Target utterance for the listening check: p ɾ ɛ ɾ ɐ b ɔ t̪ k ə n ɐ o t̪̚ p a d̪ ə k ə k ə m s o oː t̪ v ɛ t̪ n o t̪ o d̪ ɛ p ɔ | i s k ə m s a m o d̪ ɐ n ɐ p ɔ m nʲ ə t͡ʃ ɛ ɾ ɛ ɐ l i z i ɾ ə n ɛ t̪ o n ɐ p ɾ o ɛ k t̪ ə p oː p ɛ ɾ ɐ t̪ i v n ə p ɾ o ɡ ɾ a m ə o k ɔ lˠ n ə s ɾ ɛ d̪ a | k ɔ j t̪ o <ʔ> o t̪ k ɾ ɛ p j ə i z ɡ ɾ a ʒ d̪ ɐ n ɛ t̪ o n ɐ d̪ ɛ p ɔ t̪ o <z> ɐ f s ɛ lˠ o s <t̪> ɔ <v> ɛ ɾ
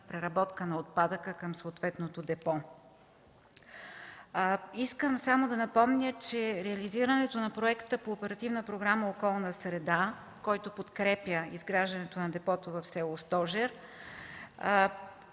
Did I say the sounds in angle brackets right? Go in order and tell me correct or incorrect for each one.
incorrect, incorrect, correct, incorrect

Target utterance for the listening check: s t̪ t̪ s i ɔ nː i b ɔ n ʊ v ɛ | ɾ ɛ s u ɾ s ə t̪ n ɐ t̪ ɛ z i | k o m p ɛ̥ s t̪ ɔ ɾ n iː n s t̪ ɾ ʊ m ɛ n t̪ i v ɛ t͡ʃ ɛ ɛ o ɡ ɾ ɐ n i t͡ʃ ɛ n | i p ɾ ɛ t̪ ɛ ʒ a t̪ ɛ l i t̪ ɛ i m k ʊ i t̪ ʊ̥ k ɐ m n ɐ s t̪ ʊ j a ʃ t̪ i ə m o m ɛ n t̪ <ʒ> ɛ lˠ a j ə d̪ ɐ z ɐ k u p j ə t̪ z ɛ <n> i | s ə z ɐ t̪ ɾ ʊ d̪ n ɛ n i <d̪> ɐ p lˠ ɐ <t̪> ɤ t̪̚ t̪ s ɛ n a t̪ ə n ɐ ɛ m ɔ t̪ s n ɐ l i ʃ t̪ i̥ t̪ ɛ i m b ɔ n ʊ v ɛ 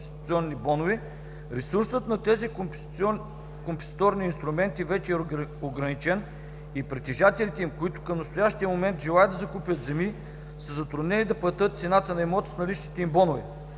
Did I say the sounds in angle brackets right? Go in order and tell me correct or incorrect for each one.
correct, incorrect, correct, correct

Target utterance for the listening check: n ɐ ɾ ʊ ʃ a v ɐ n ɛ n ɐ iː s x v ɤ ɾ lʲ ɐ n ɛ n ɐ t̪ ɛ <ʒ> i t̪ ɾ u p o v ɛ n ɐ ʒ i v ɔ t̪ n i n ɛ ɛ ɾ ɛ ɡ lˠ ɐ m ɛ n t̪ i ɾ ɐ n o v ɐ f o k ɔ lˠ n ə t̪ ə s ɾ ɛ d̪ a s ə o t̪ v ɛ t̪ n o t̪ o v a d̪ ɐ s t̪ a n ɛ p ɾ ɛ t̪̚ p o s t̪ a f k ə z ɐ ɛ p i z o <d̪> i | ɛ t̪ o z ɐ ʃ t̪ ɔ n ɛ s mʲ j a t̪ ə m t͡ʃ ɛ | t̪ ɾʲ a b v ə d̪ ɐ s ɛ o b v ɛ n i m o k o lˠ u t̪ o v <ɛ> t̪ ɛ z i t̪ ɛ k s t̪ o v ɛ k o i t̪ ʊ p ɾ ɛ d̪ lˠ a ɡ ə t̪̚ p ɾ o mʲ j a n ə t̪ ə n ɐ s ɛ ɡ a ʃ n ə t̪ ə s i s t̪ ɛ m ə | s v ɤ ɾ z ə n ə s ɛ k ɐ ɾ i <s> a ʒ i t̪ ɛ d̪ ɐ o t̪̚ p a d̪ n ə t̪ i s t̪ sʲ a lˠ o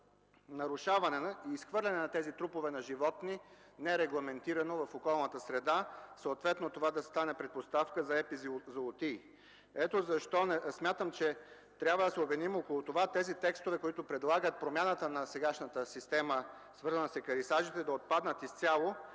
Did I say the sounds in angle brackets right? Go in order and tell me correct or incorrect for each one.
incorrect, incorrect, incorrect, correct

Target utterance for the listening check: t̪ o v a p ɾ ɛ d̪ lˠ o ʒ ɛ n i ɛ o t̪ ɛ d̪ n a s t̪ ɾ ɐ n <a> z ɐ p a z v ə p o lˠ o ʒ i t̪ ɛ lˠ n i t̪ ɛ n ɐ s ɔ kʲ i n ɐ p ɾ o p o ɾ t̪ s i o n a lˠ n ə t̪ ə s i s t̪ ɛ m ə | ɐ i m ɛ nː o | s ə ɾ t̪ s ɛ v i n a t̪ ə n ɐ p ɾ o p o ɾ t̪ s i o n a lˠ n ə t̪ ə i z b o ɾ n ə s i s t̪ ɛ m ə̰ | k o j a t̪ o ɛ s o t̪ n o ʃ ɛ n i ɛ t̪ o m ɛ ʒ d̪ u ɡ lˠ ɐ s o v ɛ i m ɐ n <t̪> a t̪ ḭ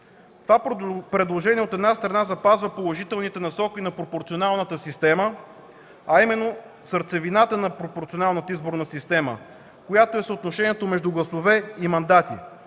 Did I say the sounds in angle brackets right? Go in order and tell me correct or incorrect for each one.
correct, incorrect

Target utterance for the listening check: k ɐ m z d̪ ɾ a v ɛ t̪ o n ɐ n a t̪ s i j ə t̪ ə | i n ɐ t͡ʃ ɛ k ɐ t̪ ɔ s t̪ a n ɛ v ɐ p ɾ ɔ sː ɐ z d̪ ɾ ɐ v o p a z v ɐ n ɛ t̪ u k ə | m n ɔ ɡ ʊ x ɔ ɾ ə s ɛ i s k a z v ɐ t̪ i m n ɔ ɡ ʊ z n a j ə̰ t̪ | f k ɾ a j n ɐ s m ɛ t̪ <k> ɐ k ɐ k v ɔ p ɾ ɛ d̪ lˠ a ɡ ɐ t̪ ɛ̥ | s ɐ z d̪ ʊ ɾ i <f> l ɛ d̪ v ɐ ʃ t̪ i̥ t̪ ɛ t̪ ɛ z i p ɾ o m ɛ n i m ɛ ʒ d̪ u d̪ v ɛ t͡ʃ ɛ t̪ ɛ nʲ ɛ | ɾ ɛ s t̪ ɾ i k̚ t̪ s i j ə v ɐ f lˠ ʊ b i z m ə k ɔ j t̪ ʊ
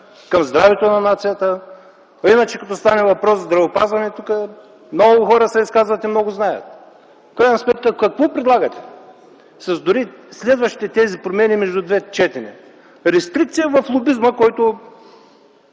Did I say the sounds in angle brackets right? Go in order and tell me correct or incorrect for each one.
correct, incorrect

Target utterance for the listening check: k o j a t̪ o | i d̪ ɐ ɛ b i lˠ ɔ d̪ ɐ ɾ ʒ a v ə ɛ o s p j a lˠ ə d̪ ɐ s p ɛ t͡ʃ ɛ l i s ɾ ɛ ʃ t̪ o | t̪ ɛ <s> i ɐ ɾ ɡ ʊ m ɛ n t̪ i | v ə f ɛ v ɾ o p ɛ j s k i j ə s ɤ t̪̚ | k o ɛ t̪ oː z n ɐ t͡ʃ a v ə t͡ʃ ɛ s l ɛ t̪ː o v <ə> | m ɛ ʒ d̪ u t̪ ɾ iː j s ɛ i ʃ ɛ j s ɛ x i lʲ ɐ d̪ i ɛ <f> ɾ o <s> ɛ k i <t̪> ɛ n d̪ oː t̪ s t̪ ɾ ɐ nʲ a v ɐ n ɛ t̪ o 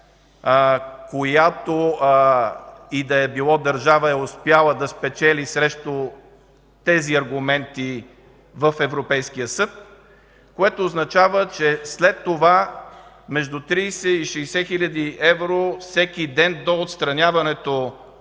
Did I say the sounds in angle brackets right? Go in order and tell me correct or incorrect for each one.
incorrect, incorrect, incorrect, correct, incorrect

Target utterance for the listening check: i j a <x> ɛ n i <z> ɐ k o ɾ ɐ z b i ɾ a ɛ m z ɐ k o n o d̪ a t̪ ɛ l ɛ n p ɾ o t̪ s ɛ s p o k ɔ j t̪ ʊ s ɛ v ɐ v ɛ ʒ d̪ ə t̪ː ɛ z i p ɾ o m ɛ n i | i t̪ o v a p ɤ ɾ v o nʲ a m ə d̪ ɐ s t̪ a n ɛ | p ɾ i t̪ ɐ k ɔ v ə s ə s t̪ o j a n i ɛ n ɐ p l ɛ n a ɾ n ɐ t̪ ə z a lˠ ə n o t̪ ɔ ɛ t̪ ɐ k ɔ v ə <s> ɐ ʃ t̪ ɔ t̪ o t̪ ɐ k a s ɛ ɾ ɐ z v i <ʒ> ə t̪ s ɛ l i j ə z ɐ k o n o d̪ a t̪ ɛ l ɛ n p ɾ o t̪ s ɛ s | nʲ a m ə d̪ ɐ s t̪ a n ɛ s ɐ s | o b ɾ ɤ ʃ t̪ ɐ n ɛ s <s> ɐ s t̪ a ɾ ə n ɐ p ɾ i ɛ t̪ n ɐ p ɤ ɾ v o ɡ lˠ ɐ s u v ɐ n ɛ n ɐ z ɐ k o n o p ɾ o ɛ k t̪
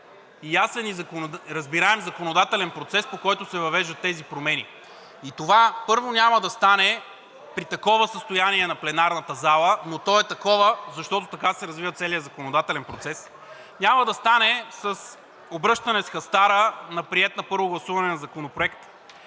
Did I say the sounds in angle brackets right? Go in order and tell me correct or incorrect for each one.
incorrect, correct, incorrect, incorrect, incorrect

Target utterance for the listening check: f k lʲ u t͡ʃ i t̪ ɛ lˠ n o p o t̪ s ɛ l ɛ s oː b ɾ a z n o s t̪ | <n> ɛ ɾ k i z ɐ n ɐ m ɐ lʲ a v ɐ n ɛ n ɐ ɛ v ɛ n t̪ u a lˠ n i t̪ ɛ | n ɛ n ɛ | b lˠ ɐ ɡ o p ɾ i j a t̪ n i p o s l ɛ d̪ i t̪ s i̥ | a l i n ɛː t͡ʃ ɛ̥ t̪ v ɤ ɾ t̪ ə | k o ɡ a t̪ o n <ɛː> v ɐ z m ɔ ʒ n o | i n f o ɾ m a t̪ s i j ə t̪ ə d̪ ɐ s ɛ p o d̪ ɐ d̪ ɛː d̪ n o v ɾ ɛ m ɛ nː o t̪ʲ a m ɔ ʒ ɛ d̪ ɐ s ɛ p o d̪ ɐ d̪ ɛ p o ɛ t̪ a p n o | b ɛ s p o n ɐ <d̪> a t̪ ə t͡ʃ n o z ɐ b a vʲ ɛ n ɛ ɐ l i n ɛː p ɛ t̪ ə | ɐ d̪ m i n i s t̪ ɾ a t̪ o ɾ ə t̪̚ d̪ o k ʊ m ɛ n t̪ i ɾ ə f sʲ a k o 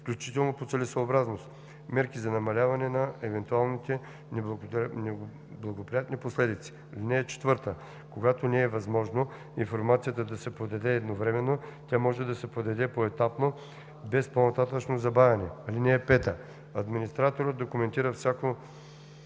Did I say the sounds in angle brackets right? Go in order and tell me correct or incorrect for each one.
incorrect, correct, incorrect

